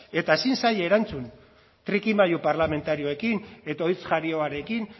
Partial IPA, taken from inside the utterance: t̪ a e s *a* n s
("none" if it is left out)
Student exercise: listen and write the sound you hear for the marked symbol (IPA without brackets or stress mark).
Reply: i